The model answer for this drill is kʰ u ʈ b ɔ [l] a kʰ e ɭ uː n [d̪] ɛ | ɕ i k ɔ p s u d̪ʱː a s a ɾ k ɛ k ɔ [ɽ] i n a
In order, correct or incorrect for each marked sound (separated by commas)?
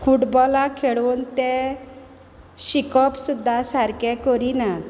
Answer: correct, incorrect, incorrect